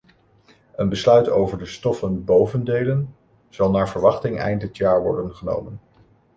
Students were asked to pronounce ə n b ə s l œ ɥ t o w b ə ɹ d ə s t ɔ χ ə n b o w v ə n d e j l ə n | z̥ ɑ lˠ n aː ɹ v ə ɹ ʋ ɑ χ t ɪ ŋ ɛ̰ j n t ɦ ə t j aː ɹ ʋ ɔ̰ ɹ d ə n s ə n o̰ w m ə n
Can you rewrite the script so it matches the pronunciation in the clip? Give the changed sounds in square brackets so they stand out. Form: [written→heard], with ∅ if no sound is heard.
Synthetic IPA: ə n b ə s l œ ɥ t o w [b→v] ə ɹ d ə s t ɔ [χ→f] ə n b o w v ə n d e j l ə n | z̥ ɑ lˠ n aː ɹ v ə ɹ ʋ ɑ χ t ɪ ŋ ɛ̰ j n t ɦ ə t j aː ɹ ʋ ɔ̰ ɹ d ə n [s→χ] ə n o̰ w m ə n